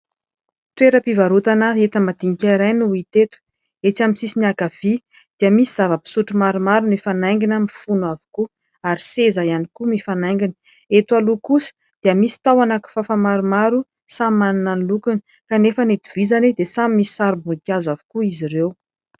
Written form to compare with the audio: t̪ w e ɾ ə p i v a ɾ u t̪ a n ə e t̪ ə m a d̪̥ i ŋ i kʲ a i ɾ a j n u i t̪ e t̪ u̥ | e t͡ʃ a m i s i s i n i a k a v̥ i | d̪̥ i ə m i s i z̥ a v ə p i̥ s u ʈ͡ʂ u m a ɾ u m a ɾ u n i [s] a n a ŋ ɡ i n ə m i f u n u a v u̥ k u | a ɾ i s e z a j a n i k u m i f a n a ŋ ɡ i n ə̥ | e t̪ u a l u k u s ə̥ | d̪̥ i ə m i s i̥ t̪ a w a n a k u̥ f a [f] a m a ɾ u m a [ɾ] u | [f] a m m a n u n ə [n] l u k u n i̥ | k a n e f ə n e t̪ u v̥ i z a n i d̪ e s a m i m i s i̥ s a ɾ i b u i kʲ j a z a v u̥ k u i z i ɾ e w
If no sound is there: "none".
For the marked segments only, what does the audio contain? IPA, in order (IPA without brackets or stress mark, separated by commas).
f, f, ɾ, s, n